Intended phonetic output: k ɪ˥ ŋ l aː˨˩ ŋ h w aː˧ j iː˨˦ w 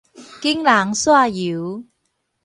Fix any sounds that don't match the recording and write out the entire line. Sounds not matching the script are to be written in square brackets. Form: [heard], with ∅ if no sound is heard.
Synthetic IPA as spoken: k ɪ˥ ŋ l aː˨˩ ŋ [s] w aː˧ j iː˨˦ w